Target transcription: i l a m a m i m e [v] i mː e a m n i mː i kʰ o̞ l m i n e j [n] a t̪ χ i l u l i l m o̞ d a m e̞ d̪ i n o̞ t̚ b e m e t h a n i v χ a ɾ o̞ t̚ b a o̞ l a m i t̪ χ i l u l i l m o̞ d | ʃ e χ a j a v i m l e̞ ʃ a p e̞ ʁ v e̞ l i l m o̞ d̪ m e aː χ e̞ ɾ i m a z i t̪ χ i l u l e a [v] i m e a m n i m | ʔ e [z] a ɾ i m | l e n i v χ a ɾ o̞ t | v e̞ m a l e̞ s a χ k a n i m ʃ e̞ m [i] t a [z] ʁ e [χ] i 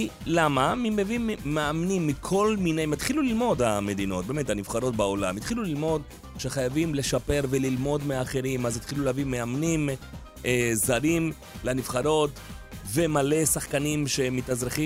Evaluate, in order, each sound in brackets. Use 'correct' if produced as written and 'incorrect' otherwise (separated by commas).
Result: correct, incorrect, correct, correct, correct, correct, correct